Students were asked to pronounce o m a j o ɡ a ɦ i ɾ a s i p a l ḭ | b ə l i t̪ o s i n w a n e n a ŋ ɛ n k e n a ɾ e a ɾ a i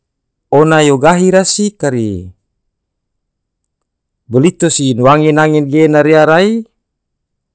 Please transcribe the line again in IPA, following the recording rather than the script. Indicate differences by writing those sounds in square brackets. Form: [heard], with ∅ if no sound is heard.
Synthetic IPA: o [n] a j o ɡ a ɦ i ɾ a s i [k] a [ɾ] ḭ | b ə l i t̪ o s i n w a [ŋ] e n a ŋ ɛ n [ɡ] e n a ɾ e a ɾ a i